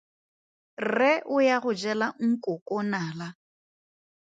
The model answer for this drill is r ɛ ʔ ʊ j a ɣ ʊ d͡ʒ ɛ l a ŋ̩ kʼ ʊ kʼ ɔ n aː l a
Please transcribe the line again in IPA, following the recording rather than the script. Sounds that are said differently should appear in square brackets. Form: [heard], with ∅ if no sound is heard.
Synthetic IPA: r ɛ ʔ ʊ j a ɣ ʊ d͡ʒ ɛ l a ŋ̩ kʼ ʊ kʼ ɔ n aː l a